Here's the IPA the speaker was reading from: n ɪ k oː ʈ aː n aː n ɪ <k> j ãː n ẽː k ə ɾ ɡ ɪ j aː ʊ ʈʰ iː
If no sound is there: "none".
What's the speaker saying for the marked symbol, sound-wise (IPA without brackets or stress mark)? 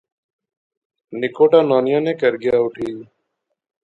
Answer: none